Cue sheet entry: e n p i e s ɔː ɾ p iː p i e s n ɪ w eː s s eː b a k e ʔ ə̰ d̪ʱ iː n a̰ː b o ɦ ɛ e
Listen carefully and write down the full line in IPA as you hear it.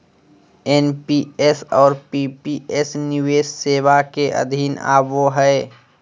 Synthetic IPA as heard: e n p i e s ɔː ɾ p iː p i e s n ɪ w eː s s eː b a k e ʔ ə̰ d̪ʱ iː n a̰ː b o ɦ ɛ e